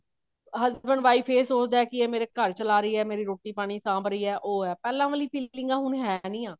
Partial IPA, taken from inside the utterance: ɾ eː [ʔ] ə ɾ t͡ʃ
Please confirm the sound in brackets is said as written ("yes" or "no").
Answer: no